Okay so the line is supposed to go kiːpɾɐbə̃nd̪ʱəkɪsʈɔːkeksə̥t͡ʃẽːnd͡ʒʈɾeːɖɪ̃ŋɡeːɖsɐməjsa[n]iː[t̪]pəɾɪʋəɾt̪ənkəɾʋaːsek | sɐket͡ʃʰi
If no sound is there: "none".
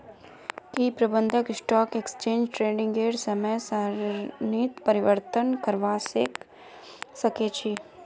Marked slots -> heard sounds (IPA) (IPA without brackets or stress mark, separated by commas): n, t̪